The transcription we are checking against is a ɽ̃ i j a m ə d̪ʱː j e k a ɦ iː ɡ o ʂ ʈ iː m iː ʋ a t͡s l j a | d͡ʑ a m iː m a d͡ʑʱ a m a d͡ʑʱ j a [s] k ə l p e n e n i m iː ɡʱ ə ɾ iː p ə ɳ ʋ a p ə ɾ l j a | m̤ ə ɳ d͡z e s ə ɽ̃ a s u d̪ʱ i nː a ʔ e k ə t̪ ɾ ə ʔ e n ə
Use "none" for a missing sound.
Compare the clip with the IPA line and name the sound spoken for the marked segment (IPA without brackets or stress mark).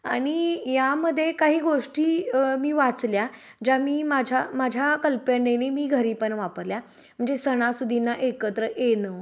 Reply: none